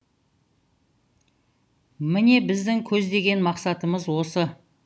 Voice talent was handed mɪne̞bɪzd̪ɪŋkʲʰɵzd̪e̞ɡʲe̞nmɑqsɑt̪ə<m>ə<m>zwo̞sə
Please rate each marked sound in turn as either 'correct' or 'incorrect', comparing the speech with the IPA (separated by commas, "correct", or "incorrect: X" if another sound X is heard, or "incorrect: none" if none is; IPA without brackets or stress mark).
correct, incorrect: none